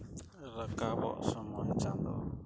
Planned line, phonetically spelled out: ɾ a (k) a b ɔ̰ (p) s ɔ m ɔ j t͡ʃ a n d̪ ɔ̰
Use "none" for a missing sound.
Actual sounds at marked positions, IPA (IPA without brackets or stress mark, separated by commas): k, ʔ